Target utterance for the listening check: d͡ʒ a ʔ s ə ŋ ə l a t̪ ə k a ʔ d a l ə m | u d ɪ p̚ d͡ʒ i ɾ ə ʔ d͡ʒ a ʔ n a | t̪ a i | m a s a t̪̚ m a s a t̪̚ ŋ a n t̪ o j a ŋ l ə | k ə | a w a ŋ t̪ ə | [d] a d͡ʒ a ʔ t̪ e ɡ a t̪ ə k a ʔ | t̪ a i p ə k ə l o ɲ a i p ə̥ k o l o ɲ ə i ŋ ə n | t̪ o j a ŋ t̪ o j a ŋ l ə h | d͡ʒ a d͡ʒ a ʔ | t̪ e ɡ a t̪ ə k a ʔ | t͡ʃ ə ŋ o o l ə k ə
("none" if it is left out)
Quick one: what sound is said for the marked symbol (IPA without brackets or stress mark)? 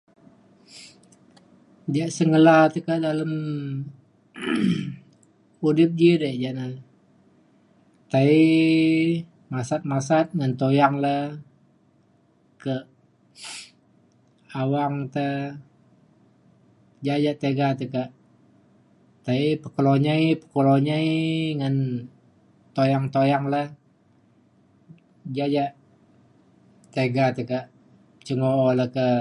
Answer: d͡ʒ